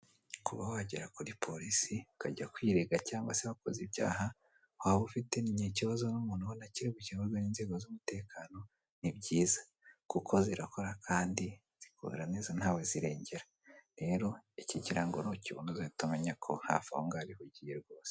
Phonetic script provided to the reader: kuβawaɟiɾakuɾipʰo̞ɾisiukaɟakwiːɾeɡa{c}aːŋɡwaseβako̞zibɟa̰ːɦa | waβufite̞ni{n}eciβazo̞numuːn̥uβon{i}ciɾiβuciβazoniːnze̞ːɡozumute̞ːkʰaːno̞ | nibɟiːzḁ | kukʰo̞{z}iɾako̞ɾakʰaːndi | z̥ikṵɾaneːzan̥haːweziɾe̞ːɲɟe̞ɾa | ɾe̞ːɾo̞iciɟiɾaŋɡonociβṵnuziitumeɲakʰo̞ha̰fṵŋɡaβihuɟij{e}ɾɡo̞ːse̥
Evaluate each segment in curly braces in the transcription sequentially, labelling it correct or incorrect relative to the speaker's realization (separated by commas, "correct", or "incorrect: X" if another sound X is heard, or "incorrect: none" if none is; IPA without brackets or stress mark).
correct, incorrect: ɲ, incorrect: a, correct, correct